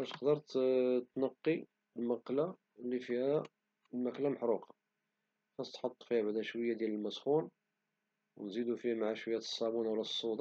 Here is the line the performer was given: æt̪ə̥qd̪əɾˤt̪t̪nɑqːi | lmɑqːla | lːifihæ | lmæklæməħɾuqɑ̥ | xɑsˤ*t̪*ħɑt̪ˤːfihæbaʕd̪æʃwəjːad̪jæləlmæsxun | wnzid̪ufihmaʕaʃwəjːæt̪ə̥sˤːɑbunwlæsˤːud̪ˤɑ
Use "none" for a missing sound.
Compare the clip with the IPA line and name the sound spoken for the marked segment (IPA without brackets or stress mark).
t̪